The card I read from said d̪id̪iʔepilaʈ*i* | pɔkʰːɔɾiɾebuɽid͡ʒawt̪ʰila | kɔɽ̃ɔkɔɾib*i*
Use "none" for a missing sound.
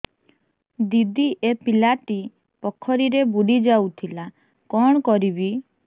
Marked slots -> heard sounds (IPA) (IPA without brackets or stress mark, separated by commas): i, i